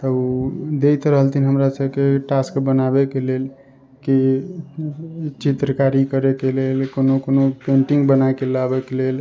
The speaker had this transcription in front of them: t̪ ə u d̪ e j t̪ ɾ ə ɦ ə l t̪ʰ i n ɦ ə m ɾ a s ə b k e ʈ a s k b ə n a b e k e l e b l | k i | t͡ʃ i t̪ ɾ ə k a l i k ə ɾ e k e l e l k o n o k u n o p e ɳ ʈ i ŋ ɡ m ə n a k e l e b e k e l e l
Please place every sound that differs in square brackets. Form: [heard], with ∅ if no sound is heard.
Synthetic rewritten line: t̪ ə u d̪ e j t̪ ɾ ə ɦ ə l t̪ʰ i n ɦ ə m ɾ a s ə b k e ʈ a s k b ə n a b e k e l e [∅] l | k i | t͡ʃ i t̪ ɾ ə k a [ɾ] i k ə ɾ e k e l e l k o n o k [o] n o p e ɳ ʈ i ŋ ɡ [b] ə n a k e l [a] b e k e l e l